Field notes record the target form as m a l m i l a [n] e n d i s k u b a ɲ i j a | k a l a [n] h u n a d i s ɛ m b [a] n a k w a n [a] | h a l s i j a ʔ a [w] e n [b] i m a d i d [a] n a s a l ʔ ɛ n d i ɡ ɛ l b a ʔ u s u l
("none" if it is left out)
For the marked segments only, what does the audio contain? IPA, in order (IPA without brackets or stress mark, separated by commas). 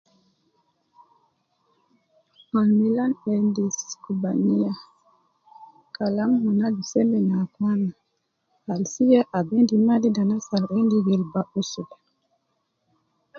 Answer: n, m, ɛ, a, b, d, a